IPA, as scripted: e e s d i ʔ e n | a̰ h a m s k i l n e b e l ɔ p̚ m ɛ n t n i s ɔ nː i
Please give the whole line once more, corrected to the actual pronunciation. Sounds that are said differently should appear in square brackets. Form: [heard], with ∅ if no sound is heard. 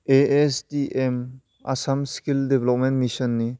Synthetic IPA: e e s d i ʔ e [m] | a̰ [s] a m s k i l [d] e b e l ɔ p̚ m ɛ n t [m] i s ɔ nː i